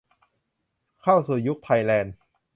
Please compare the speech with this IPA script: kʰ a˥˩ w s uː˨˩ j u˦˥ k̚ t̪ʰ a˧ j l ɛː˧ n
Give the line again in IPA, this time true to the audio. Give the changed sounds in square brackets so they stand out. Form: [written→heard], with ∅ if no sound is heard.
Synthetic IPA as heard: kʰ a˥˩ w s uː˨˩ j u˦˥ k̚ t̪ʰ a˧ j l ɛː˧ n

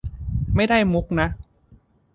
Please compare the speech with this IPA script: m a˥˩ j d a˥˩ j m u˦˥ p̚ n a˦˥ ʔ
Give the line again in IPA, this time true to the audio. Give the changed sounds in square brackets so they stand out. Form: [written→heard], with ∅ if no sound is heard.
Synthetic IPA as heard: m a˥˩ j d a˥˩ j m u˦˥ [p̚→k̚] n a˦˥ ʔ

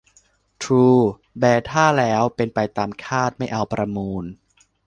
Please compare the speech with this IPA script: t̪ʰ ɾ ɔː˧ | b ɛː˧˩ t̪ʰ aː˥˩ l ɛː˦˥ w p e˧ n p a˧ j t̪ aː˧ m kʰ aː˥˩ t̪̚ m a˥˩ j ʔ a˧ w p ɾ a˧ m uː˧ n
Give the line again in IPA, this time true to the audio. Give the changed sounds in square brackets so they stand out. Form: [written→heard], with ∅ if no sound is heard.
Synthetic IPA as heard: t̪ʰ ɾ [ɔː˧→uː˧] | b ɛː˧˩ t̪ʰ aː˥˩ l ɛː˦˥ w p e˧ n p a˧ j t̪ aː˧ m kʰ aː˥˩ t̪̚ m a˥˩ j ʔ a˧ w p ɾ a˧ m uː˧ n

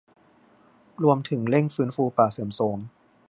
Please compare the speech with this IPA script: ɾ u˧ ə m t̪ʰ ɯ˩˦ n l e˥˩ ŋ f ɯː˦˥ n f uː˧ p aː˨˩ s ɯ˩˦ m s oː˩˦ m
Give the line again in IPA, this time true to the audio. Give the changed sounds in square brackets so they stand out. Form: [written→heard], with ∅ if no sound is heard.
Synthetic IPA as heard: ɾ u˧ ə m t̪ʰ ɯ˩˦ [n→ŋ] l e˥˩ ŋ f ɯː˦˥ n f uː˧ p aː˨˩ s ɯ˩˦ m s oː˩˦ m

